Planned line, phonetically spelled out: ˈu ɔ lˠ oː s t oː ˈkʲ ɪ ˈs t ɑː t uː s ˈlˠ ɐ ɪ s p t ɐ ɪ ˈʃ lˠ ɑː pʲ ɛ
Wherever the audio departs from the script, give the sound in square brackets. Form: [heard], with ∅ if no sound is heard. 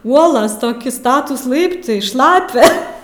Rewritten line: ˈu ɔ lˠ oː s t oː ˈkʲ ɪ ˈs t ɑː t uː s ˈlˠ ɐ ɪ [∅] p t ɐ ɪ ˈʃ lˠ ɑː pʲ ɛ